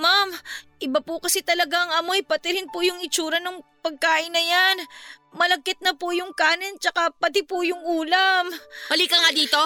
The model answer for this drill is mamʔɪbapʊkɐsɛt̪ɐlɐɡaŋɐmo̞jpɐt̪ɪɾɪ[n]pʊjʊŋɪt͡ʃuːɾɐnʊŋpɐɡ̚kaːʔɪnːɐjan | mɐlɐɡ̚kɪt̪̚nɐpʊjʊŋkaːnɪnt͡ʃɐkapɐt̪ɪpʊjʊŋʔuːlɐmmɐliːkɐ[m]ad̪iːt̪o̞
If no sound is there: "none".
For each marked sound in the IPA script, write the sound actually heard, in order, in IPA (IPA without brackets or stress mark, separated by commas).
n, ŋ